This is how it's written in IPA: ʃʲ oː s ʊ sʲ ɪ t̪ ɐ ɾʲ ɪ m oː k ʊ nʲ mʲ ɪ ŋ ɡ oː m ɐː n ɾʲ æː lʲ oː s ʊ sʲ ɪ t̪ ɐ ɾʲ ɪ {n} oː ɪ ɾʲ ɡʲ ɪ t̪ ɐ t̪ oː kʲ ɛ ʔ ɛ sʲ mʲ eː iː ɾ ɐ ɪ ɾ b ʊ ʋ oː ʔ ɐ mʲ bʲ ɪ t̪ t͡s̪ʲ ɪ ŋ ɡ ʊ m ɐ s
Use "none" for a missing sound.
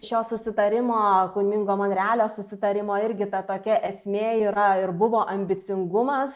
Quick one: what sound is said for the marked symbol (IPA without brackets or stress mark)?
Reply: m